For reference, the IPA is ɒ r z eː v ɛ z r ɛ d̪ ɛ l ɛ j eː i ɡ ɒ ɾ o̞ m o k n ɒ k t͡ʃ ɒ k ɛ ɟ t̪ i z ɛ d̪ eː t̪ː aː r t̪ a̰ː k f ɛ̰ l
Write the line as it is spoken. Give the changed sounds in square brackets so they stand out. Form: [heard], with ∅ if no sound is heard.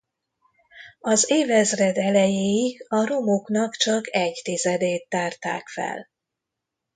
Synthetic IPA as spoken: ɒ [∅] z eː v ɛ z r ɛ d̪ ɛ l ɛ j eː i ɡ ɒ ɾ o̞ m o k n ɒ k t͡ʃ ɒ k ɛ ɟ t̪ i z ɛ d̪ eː t̪ː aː r t̪ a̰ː k f ɛ̰ l